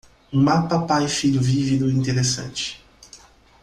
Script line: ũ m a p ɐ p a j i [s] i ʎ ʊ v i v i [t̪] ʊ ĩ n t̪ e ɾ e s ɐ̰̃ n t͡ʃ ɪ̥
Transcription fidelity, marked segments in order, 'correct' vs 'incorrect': incorrect, incorrect

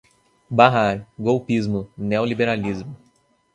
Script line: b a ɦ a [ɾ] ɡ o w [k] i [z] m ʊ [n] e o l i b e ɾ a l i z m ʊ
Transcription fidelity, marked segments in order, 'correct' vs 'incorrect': correct, incorrect, correct, correct

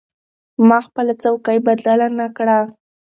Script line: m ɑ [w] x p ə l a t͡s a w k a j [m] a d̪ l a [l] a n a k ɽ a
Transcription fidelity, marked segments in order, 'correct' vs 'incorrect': incorrect, incorrect, correct

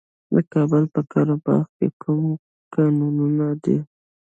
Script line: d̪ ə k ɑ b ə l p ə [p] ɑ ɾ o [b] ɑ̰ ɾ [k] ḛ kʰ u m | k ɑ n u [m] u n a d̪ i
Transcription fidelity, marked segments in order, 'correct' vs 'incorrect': incorrect, correct, correct, incorrect

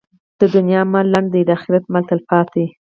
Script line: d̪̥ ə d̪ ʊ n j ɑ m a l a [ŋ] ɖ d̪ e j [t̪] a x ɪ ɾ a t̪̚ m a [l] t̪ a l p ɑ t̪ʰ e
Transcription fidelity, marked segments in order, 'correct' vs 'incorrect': incorrect, incorrect, correct

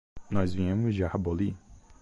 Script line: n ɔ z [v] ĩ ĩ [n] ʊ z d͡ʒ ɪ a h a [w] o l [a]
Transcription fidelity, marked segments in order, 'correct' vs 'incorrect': correct, incorrect, incorrect, incorrect

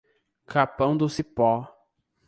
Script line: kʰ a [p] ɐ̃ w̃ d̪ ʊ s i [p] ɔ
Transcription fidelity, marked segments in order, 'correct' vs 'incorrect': correct, correct

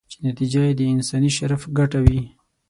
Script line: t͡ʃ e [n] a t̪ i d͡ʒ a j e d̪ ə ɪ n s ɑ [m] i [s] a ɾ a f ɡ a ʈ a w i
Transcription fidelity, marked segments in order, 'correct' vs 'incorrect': correct, incorrect, incorrect

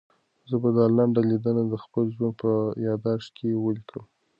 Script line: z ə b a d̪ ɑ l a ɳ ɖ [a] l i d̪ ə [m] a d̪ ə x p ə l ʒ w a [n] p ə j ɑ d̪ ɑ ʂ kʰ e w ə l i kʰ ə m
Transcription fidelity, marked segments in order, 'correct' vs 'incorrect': correct, incorrect, correct

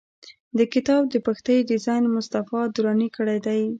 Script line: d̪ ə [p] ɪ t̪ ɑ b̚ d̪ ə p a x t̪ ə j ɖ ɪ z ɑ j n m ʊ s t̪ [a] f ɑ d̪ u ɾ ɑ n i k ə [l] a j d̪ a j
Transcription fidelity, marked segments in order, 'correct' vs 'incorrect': incorrect, correct, incorrect

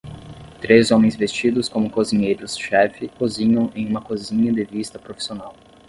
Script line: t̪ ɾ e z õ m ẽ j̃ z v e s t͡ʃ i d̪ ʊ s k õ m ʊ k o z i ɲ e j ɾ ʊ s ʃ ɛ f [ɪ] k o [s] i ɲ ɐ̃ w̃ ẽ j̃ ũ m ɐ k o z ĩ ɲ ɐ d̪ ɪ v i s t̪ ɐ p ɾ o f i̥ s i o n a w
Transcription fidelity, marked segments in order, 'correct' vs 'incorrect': correct, incorrect

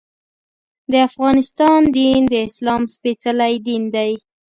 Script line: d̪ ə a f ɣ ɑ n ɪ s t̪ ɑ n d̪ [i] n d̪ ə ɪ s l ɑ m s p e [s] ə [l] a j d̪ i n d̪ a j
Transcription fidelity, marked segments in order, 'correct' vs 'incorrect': correct, incorrect, correct

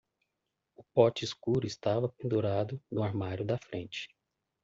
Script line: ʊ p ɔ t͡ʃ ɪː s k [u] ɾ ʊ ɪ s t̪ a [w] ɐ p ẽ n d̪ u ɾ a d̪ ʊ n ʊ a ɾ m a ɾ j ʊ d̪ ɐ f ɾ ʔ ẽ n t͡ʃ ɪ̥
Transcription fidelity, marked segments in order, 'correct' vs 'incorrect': correct, incorrect

